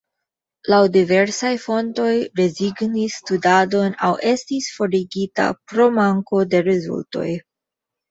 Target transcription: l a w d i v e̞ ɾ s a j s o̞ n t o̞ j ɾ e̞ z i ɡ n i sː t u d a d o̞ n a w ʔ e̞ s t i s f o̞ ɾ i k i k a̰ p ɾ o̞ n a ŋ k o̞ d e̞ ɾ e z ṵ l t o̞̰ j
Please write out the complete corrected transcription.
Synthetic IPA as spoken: l a w d i v e̞ ɾ s a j f o̞ n t o̞ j ɾ e̞ z i ɡ n i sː t u d a d o̞ n a w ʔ e̞ s t i s f o̞ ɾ i ɡ i t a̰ p ɾ o̞ m a ŋ k o̞ d e̞ ɾ e z ṵ l t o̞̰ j